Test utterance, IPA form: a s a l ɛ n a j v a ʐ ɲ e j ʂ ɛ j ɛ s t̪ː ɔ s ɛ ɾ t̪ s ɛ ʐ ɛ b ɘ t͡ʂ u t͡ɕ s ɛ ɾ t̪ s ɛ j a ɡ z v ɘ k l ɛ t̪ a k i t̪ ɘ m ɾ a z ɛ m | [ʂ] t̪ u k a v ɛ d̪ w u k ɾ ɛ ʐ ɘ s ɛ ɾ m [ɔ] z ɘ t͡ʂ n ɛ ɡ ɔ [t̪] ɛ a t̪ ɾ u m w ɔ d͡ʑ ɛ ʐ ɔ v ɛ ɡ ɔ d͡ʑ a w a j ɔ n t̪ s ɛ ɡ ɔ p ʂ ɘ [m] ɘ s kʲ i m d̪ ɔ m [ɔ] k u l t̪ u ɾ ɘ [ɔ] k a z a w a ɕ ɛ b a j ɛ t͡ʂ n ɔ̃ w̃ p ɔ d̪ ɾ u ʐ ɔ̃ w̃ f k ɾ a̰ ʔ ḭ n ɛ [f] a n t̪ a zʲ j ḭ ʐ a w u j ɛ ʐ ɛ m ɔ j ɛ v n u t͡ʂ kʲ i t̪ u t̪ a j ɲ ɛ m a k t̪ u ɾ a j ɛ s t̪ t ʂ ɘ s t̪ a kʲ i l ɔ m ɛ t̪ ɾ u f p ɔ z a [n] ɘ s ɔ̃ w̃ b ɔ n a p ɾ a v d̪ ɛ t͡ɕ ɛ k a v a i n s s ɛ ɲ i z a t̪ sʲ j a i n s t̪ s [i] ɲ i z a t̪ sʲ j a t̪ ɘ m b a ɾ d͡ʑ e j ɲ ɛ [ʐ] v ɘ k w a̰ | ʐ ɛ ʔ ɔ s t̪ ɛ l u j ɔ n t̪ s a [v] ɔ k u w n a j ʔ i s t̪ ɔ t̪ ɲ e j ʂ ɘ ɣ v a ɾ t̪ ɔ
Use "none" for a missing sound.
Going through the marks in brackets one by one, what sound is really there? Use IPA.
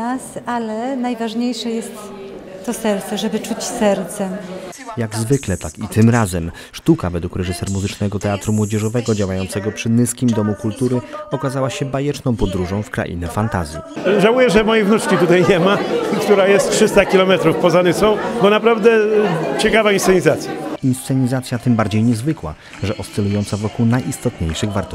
ʂ, u, t̪, n, u, ɔ, f, n, ɛ, z, v

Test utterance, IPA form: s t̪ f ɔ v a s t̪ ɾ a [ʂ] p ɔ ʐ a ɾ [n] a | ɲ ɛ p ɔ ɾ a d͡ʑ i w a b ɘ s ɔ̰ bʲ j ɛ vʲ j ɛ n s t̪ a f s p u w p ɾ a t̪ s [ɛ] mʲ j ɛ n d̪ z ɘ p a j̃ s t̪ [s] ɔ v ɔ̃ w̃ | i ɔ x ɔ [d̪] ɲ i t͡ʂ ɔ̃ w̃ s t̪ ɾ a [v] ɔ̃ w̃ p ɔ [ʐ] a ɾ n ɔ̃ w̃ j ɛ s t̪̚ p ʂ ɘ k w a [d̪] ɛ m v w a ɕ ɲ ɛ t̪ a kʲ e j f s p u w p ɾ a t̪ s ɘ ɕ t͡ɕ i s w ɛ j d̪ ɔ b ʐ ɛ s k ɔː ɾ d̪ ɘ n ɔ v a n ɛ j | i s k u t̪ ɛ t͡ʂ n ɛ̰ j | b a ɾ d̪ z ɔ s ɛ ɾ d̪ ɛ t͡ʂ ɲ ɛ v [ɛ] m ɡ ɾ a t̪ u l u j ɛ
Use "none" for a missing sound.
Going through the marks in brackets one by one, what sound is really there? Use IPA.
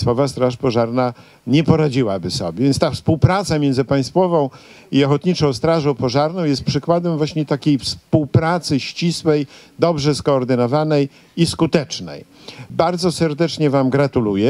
ʂ, n, a, f, t̪, ʐ, ʐ, d̪, a

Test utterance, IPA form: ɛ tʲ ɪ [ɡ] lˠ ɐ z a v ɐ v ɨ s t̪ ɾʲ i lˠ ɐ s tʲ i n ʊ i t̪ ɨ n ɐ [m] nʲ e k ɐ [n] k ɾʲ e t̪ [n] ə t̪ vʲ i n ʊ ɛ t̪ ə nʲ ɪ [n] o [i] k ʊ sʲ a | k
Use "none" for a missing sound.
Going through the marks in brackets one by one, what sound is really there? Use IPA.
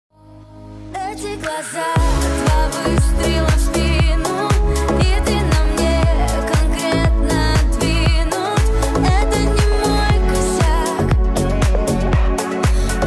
ɡ, m, n, n, m, j

